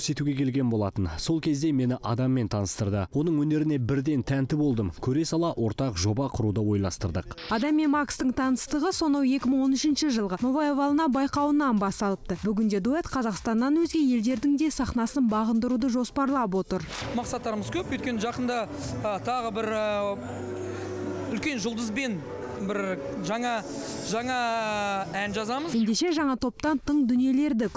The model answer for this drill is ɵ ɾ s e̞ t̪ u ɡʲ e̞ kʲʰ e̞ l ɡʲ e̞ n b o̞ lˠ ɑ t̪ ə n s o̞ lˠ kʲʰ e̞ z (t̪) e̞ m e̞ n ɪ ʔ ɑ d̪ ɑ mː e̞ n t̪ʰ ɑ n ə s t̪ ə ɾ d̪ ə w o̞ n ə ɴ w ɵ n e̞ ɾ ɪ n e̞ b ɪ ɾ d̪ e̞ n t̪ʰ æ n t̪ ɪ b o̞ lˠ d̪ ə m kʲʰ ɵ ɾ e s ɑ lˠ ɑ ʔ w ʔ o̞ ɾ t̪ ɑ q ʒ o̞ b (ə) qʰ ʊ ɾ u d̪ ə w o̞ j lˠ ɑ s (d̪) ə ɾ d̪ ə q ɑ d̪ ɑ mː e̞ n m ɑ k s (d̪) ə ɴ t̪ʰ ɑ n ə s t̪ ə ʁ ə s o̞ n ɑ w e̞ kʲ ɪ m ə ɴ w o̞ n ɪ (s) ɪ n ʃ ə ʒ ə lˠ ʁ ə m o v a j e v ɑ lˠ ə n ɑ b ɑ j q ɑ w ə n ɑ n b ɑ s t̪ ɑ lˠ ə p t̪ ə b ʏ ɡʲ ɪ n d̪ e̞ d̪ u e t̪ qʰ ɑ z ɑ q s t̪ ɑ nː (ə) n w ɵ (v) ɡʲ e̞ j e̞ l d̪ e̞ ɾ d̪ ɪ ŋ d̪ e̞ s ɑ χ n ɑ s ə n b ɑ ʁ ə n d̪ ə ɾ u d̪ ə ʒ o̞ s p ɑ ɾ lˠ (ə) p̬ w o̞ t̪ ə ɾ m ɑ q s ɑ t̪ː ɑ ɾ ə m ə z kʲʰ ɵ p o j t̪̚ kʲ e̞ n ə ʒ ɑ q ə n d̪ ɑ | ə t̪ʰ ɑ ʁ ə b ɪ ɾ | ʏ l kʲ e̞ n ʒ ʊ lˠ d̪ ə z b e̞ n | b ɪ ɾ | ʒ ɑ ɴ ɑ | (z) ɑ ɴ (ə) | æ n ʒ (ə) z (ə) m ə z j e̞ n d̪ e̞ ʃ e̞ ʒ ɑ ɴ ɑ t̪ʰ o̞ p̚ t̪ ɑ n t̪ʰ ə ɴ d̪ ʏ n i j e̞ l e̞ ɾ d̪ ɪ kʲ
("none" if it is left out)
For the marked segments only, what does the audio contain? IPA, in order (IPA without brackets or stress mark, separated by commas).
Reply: d̪, ɑ, t̪, t̪, ʃ, ɑ, z, ɑ, ʒ, ɑ, ɑ, ɑ